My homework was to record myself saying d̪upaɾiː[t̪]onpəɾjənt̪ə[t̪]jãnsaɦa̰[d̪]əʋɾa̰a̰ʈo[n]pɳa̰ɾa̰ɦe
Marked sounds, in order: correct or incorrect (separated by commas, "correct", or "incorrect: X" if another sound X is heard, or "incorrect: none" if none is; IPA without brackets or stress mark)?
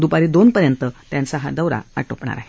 incorrect: d̪, correct, correct, incorrect: none